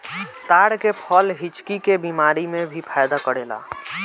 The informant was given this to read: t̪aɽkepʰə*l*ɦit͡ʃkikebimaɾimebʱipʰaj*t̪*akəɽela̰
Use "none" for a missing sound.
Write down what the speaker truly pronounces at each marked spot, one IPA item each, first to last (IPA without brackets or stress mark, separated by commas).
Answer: l, d̪